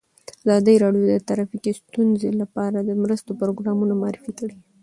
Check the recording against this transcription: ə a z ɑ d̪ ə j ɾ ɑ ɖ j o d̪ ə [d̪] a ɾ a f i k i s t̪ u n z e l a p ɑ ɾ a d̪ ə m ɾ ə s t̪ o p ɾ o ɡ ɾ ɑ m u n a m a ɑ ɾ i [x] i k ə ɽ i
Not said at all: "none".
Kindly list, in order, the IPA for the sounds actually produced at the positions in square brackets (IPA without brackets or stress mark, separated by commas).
t̪, f